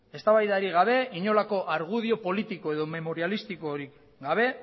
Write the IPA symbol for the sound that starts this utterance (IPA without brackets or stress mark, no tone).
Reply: e̞